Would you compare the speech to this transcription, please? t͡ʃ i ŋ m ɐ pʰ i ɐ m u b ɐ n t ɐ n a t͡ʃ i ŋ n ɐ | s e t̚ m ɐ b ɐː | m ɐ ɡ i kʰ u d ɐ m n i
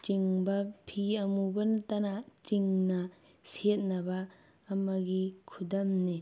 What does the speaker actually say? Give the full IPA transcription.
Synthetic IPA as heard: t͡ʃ i ŋ b ɐ pʰ i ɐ m u b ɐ n t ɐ n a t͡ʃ i ŋ n ɐ | s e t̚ n ɐ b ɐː | m ɐ ɡ i kʰ u d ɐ m n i